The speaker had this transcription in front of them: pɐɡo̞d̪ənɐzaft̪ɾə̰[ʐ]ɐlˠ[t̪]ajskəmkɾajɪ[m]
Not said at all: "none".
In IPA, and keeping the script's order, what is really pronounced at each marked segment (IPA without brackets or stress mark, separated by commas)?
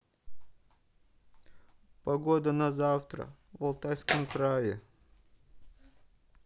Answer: v, t̪, none